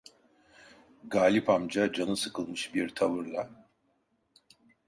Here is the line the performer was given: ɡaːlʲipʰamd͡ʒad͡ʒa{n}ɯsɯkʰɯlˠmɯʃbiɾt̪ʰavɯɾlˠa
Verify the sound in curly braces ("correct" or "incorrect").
correct